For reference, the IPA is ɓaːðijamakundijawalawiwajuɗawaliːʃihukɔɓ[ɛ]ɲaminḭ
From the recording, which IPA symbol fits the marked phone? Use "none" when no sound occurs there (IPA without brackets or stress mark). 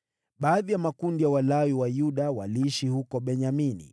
ɛ